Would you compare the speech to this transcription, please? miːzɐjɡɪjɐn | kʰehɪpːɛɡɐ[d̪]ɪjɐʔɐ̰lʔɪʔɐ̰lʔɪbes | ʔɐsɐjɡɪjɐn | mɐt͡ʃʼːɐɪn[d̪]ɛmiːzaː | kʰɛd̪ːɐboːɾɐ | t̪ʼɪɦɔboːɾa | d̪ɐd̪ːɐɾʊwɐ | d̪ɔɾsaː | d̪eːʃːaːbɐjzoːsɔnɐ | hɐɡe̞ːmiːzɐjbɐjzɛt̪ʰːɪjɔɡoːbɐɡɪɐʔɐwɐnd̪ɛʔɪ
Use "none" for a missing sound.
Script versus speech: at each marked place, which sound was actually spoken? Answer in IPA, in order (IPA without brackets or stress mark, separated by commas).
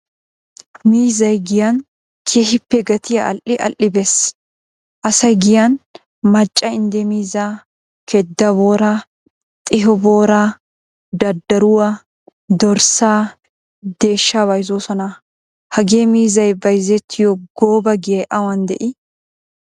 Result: t̪, d̪